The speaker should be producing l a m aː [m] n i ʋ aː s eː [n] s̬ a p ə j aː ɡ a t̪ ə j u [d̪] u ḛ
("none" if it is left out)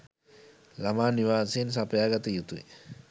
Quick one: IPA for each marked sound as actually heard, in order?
none, n, t̪

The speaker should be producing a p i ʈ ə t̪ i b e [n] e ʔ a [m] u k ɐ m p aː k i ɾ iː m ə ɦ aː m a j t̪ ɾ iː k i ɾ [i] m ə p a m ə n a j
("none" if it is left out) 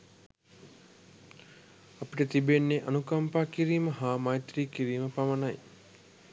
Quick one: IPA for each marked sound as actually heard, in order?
nː, n, iː

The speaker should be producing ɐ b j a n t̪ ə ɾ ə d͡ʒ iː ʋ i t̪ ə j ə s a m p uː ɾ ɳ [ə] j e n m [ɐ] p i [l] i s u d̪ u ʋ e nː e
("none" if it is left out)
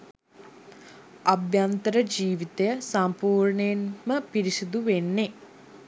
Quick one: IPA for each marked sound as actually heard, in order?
ə, ə, ɾ

